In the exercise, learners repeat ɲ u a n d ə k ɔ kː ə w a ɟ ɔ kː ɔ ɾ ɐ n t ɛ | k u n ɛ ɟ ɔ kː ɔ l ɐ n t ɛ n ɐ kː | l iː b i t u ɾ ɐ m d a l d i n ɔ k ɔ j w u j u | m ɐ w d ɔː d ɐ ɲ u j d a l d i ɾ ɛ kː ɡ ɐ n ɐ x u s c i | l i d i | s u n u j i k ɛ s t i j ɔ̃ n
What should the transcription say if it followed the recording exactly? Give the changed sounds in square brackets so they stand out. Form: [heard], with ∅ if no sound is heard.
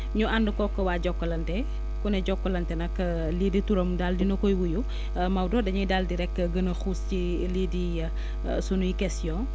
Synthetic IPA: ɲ u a n d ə k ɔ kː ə w a ɟ ɔ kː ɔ [l] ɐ n t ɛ | k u n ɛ ɟ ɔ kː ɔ l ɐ n t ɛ n ɐ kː | l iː [d] i t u ɾ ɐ m d a l d i n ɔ k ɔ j w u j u | m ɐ w d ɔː d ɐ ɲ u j d a l d i ɾ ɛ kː ɡ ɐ n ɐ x u s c i | l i d i | s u n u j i k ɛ s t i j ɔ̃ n